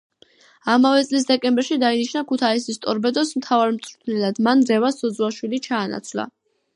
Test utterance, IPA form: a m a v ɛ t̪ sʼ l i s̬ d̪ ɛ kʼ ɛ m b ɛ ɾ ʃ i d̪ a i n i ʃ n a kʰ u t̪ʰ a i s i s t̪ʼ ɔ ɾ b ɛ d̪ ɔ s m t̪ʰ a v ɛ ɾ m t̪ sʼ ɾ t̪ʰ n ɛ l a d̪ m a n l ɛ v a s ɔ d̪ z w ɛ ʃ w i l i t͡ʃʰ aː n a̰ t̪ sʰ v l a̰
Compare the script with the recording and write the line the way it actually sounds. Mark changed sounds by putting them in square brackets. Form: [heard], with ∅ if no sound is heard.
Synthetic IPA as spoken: a m a v ɛ t̪ sʼ l i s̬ d̪ ɛ kʼ ɛ m b ɛ ɾ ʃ i d̪ a i n i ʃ n a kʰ u t̪ʰ a i s i s t̪ʼ ɔ ɾ b ɛ d̪ ɔ s m t̪ʰ a v [a] ɾ m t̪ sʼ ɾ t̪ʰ n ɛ l a d̪ m a n [ɾ] ɛ v a s ɔ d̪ z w [a] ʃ w i l i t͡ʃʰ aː n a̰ t̪ sʰ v l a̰